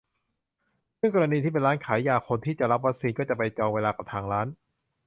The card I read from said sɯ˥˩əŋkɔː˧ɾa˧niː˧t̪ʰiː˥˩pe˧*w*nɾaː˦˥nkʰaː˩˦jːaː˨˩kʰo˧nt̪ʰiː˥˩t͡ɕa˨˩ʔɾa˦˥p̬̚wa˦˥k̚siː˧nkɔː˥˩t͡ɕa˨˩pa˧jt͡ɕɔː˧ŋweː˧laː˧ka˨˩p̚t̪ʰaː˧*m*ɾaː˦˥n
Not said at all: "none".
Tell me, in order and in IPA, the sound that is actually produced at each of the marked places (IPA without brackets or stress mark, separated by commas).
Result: none, ŋ